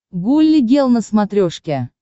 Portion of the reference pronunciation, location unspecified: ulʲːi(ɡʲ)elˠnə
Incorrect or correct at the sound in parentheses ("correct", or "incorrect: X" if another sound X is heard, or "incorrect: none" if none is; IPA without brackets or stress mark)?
correct